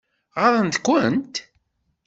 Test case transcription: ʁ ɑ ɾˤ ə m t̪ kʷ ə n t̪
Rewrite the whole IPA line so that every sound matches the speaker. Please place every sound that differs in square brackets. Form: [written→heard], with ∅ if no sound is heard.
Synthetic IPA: ʁ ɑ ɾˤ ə [m→n] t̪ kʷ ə n t̪